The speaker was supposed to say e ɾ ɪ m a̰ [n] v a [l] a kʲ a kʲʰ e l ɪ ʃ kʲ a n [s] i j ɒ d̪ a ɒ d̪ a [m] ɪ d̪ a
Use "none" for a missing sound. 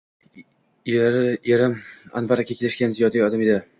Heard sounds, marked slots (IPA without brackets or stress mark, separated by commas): n, ɾ, z, m